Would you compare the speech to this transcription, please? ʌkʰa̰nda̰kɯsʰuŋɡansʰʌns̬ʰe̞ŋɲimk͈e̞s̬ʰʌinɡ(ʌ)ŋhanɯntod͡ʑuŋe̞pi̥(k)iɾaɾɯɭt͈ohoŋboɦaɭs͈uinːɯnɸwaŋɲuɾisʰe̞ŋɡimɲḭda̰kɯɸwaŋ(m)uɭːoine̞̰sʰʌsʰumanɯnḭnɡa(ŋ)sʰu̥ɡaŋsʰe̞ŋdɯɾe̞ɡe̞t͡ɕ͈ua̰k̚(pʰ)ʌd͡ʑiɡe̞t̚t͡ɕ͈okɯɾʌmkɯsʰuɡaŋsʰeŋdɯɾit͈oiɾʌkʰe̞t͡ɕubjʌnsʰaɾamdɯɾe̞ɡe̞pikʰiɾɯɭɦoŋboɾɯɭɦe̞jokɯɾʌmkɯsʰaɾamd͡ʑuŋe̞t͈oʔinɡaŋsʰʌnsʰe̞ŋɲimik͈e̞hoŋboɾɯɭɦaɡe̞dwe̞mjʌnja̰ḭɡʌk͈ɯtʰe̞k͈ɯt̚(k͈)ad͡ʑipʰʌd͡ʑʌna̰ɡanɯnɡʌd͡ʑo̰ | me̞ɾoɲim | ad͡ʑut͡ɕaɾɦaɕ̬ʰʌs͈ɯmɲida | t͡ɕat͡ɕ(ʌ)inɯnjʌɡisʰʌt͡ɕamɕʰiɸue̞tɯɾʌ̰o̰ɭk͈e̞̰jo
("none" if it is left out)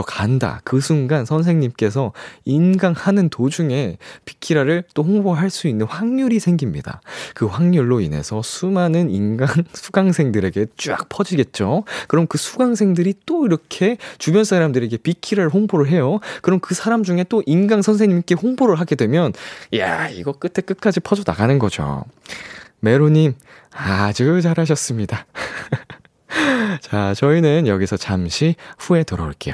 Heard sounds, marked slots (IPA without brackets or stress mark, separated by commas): a, kʰ, ɲ, ŋ, pʰ, k͈, ʌ